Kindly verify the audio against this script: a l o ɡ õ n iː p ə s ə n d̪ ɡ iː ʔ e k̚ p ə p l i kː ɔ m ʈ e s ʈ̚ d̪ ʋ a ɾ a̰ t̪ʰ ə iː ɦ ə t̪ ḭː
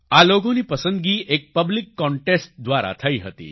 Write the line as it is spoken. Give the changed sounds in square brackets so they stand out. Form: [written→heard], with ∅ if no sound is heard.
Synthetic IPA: a l o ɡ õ n iː p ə s ə n d̪ ɡ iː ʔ e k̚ p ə [p→b] l i kː ɔ [m→ɳ] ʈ e s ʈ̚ d̪ ʋ a ɾ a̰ t̪ʰ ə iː ɦ ə t̪ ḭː